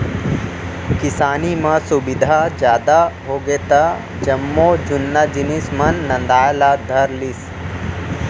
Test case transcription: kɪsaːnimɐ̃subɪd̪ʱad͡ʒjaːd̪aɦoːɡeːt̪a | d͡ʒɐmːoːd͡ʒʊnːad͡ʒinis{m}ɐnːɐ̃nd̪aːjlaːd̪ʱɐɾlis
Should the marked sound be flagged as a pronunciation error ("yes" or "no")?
no